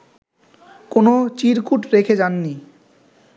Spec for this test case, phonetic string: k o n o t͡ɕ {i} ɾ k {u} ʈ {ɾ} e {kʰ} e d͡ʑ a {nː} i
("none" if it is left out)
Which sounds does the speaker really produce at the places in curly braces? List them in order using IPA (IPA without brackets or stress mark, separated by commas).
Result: i, u, ɾ, kʰ, nː